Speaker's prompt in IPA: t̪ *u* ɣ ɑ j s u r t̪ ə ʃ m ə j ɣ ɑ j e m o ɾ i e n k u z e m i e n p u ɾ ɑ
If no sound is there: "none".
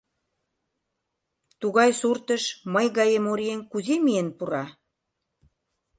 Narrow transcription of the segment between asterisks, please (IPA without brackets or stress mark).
u